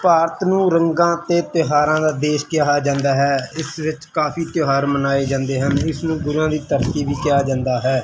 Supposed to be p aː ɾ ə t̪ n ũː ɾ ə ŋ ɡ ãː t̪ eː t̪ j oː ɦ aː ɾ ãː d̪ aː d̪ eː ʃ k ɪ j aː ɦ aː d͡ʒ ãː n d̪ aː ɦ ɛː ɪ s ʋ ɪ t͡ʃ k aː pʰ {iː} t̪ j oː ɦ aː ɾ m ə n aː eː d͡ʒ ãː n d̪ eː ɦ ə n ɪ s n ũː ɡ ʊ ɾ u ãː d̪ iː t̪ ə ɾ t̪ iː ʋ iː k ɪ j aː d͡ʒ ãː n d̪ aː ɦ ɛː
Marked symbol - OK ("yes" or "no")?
yes